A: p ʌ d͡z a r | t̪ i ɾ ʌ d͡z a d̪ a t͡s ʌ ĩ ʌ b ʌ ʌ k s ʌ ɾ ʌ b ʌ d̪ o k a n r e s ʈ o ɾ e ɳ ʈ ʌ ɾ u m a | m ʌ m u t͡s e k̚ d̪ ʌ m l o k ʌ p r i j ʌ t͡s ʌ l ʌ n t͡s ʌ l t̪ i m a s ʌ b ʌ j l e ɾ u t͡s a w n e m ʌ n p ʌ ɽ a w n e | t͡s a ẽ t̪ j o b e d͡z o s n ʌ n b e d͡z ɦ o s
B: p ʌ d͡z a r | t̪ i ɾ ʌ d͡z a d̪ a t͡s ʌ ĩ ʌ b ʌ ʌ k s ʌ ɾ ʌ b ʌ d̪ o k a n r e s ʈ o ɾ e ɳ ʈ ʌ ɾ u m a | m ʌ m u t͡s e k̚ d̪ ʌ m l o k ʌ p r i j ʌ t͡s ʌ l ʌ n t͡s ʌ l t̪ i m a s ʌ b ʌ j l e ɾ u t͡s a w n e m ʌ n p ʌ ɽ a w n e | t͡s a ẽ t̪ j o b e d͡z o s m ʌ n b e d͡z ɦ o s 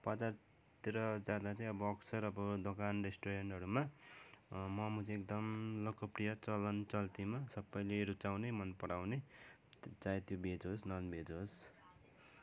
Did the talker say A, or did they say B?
A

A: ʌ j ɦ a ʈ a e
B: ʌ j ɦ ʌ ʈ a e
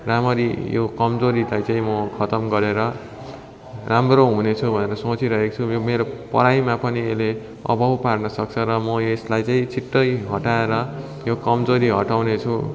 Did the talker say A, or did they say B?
B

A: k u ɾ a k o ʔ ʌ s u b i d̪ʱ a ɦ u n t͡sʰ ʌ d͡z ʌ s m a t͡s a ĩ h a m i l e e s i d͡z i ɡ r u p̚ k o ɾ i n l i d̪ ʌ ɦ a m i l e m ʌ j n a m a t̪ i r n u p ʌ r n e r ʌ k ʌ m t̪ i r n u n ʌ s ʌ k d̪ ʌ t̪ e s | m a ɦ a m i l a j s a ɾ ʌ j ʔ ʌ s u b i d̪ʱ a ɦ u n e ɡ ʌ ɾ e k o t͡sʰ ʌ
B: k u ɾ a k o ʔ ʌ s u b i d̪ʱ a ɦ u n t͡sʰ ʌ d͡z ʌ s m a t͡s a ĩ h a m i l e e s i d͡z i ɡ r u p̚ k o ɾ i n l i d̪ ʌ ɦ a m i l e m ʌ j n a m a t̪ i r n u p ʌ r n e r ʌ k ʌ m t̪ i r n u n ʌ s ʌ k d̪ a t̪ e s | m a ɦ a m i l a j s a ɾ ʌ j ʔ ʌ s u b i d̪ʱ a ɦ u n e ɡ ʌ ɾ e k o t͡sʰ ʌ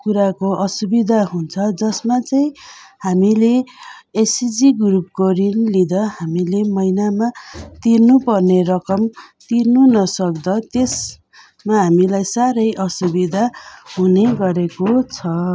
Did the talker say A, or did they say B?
A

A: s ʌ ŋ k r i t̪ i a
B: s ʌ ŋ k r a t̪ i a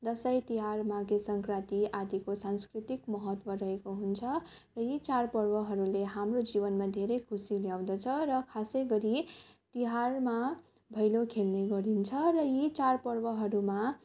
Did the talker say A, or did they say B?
B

